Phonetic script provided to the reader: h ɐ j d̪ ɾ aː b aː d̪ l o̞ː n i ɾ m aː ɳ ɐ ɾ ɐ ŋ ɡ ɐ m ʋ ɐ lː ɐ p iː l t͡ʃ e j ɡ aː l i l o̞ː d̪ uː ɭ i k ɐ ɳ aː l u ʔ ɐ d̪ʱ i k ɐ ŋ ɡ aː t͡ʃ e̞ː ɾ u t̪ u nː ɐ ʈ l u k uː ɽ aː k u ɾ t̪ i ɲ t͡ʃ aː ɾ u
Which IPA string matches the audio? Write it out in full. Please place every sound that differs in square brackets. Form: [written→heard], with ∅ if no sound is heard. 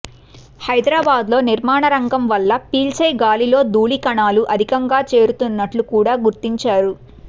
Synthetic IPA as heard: h ɐ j d̪ ɾ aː b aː d̪ l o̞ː n i ɾ m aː ɳ ɐ ɾ ɐ ŋ ɡ ɐ m ʋ ɐ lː ɐ p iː l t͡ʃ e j ɡ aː l i l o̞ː d̪ uː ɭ i k ɐ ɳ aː l u ʔ ɐ d̪ʱ i k ɐ ŋ ɡ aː t͡ʃ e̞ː ɾ u t̪ u nː ɐ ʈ l u k uː ɽ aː [k→ɡ] u ɾ t̪ i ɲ t͡ʃ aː ɾ u